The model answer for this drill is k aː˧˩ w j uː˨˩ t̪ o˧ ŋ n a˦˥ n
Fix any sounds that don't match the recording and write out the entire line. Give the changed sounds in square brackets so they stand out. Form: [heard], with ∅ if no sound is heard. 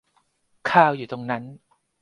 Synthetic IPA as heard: [kʰ] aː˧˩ w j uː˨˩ t̪ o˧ ŋ n a˦˥ n